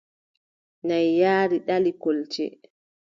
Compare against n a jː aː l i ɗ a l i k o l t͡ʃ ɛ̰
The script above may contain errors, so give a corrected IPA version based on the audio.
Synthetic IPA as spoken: n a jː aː ɾ i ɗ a l i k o l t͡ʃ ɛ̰